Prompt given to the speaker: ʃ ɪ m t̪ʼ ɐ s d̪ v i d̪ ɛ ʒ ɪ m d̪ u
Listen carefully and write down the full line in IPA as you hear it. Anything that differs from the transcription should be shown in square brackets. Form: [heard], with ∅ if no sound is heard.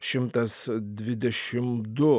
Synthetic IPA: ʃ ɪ m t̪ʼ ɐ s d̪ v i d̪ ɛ [ʃ] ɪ m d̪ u